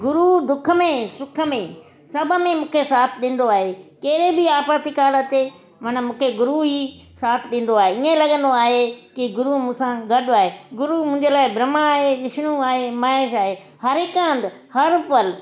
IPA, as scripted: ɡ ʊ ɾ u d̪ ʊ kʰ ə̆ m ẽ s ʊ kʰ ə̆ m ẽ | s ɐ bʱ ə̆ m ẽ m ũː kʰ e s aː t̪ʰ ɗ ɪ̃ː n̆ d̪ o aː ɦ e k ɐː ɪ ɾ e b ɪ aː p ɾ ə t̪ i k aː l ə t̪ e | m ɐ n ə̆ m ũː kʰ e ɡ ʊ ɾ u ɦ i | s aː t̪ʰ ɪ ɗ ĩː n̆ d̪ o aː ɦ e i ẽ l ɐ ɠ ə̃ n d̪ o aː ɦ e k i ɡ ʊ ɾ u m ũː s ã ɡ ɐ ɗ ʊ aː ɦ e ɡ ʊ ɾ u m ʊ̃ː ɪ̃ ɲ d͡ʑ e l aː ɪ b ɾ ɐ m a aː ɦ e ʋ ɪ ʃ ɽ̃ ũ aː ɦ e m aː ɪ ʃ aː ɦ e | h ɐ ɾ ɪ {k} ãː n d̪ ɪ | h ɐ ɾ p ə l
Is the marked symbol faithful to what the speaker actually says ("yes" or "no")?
yes